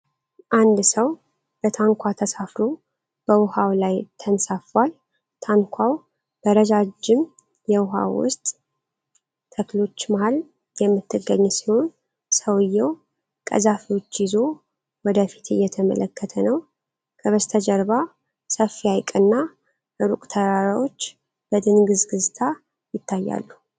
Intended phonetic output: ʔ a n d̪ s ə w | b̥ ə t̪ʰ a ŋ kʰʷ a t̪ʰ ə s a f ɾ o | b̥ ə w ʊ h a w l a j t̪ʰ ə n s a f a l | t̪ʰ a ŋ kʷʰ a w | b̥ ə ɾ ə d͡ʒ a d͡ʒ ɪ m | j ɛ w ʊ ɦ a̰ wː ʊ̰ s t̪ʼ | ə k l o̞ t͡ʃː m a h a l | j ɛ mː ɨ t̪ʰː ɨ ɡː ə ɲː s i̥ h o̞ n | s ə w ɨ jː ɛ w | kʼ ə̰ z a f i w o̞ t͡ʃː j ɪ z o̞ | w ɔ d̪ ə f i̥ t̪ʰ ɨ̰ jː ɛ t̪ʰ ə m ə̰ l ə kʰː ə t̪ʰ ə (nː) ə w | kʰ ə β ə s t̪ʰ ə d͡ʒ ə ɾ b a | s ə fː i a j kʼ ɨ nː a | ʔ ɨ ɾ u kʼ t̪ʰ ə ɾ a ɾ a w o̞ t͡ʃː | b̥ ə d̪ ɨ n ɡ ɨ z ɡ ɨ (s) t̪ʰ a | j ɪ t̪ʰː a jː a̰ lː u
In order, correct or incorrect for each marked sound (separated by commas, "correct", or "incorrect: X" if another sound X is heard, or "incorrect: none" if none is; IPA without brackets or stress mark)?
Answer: incorrect: n, incorrect: z